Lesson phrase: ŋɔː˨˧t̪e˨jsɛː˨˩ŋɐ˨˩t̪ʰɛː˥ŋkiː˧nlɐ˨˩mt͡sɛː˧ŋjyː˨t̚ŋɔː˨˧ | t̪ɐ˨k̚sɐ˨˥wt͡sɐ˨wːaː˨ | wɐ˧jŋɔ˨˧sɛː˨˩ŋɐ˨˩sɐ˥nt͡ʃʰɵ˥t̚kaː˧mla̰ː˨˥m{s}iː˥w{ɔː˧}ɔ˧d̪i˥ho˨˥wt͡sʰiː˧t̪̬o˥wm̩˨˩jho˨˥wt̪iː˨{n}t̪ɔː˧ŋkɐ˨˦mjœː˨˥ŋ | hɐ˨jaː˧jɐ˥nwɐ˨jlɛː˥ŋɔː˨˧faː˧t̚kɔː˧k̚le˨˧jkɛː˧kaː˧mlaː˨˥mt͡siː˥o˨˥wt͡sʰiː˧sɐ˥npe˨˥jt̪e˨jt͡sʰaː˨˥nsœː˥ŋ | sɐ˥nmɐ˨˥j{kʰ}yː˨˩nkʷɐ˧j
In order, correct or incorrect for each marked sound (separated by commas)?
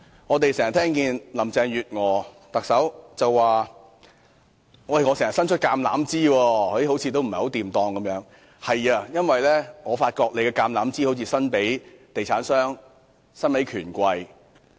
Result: incorrect, correct, incorrect, correct